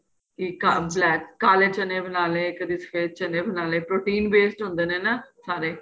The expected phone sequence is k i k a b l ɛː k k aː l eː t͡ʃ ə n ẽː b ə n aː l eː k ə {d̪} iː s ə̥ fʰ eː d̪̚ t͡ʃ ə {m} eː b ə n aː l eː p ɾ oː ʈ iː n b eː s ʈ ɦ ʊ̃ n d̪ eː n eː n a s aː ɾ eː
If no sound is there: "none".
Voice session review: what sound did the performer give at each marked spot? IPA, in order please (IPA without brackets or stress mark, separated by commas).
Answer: d̪, n